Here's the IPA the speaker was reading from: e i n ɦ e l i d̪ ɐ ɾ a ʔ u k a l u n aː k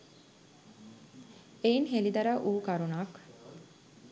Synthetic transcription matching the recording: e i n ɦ e l i d̪ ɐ ɾ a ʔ uː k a ɾ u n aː k